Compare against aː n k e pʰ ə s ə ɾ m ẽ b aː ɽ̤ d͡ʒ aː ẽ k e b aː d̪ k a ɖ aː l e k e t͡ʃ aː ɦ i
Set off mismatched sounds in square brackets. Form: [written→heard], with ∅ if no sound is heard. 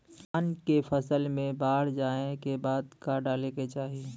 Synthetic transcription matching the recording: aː n k e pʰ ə s ə [ɾ→l] m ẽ b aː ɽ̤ d͡ʒ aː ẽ k e b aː d̪ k a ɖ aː l e k e t͡ʃ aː ɦ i